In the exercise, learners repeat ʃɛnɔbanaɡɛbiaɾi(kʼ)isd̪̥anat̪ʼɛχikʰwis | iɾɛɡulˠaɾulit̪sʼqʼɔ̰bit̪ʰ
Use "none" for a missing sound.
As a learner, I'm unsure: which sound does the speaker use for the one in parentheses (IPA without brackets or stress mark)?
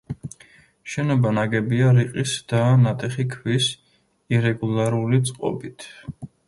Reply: qʼ